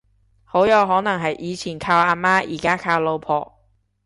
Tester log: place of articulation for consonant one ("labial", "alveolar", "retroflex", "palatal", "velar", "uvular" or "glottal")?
glottal